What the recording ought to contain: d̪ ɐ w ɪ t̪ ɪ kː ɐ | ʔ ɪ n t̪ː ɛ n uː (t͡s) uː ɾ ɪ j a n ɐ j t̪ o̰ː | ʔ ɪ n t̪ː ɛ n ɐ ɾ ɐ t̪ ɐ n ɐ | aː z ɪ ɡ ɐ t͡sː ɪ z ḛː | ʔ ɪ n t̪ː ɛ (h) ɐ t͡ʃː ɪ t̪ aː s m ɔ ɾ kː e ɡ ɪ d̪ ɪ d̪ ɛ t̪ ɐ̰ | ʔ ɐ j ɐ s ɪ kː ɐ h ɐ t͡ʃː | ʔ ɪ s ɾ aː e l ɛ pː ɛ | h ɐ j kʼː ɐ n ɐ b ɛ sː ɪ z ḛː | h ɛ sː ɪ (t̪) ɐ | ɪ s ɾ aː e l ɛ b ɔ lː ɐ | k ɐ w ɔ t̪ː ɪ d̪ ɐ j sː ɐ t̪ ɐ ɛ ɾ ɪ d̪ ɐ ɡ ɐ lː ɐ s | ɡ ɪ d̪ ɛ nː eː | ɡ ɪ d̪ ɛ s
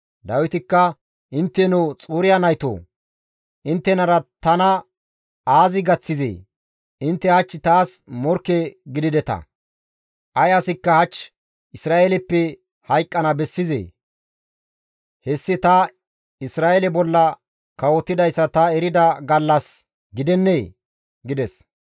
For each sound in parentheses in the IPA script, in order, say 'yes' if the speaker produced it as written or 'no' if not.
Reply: no, yes, yes

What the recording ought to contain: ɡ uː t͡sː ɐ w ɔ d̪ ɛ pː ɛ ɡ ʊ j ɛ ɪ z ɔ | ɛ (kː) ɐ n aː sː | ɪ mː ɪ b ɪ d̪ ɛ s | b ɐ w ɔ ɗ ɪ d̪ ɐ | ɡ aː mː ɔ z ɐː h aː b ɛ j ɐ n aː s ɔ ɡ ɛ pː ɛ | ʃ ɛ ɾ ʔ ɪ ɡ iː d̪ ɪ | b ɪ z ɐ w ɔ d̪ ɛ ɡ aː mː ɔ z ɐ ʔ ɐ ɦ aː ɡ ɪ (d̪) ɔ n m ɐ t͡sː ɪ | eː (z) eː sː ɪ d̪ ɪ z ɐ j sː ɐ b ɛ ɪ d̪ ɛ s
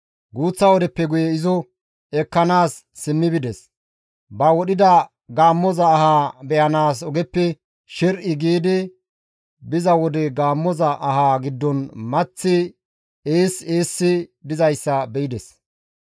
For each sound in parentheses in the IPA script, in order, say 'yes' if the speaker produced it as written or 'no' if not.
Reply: yes, no, no

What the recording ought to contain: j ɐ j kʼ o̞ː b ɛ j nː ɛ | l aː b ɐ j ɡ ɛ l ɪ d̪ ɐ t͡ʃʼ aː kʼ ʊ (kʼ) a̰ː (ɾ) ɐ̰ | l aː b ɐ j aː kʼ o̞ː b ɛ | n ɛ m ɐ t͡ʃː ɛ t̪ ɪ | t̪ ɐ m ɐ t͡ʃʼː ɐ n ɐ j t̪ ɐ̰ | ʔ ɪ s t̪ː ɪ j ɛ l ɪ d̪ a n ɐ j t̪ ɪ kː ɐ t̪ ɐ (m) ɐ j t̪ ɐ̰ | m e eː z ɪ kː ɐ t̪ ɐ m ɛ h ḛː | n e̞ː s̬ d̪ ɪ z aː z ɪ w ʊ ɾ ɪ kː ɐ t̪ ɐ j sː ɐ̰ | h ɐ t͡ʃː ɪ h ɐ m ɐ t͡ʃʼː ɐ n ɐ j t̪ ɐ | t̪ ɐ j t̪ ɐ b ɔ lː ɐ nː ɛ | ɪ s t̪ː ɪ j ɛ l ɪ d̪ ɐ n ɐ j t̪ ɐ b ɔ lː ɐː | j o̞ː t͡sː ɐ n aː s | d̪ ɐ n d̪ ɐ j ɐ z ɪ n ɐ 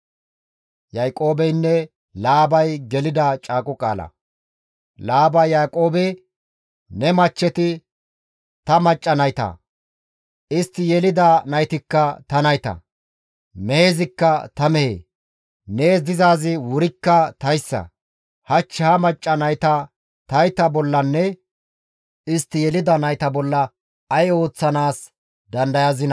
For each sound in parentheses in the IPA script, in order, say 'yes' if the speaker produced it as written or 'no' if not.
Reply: yes, no, no

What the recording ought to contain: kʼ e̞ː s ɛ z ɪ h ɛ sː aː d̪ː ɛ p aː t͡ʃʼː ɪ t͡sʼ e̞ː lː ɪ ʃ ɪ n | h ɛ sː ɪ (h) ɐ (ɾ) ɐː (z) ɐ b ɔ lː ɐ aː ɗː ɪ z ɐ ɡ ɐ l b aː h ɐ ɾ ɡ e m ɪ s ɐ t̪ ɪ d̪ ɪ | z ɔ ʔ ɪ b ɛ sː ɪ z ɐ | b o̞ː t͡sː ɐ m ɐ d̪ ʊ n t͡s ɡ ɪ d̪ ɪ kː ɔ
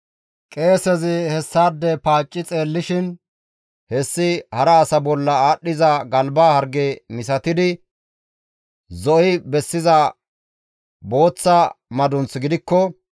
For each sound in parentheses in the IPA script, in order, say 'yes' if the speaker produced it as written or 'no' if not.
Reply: yes, yes, no

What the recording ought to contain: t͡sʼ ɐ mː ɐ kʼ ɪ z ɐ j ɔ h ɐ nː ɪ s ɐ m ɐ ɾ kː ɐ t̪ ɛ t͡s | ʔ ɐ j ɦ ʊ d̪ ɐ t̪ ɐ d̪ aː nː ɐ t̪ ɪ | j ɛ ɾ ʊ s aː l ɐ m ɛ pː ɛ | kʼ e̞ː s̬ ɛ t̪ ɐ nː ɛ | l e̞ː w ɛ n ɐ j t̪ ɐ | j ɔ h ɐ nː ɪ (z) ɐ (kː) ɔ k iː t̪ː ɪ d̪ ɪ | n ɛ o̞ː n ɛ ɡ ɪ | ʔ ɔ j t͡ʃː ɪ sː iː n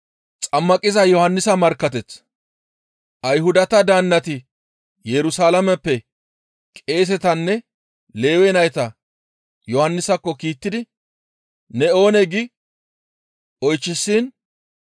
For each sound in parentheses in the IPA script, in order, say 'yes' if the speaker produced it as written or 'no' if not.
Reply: no, yes

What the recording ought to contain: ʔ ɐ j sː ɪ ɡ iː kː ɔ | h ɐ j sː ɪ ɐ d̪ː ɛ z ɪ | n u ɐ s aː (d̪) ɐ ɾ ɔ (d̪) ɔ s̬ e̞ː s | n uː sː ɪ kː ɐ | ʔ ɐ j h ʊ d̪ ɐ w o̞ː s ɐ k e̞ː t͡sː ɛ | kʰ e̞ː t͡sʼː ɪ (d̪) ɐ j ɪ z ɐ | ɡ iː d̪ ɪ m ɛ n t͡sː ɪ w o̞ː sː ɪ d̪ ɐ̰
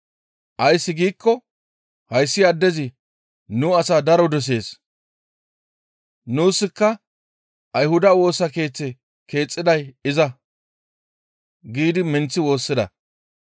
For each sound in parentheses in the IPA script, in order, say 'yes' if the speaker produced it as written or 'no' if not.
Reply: yes, yes, yes

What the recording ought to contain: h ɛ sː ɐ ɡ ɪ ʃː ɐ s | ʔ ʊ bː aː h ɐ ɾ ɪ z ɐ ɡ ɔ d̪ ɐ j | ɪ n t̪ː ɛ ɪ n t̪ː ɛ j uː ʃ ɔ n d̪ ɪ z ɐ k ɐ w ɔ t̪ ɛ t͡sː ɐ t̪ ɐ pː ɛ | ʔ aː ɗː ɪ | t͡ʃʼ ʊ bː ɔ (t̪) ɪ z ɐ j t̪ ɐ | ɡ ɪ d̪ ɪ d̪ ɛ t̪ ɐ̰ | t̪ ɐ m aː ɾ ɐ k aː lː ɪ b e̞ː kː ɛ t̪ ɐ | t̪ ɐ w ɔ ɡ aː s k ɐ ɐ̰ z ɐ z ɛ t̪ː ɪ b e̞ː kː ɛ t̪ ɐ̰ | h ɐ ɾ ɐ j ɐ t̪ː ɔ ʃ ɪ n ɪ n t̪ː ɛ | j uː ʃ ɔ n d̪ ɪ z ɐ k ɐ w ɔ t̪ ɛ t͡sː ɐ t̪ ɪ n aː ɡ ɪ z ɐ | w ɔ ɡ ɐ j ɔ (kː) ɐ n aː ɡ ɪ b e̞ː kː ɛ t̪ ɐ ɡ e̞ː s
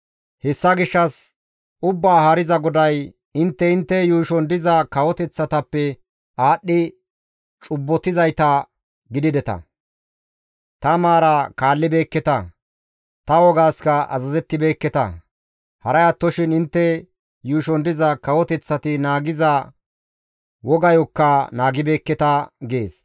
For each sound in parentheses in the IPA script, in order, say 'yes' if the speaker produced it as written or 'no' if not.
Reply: yes, yes

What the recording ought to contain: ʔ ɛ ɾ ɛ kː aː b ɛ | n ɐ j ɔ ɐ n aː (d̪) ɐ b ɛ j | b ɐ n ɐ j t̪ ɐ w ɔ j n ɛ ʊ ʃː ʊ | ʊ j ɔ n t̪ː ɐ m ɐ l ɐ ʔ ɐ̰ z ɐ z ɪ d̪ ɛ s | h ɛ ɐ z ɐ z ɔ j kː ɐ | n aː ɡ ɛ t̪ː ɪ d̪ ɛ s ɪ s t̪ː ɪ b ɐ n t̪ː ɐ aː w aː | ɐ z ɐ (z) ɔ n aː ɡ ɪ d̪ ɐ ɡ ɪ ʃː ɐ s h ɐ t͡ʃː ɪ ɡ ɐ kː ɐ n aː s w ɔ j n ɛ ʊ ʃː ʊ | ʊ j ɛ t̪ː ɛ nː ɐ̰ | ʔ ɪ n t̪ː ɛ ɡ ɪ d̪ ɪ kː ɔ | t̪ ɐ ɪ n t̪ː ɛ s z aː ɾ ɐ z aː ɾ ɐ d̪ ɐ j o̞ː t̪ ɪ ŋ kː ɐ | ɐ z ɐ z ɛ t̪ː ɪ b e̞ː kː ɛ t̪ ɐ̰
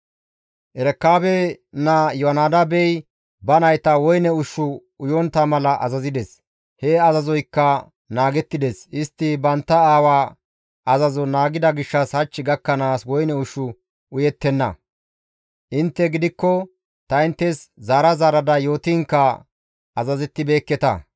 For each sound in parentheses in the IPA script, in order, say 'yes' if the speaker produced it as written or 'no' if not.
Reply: yes, yes

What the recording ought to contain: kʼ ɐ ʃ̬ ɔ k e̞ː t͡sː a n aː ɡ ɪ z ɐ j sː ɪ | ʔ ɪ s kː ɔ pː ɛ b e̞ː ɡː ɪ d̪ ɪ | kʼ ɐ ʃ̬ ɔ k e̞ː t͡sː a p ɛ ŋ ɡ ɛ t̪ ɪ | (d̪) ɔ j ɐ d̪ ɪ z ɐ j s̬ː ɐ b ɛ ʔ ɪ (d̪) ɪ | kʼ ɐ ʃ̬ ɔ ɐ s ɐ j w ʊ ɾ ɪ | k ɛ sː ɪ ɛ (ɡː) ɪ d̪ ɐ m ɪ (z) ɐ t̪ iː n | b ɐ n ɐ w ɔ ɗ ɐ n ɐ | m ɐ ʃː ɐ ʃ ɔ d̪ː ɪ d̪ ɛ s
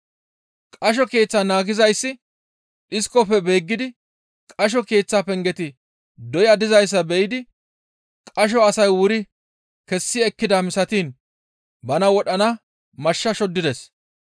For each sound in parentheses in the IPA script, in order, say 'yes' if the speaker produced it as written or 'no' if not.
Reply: yes, yes, no, no

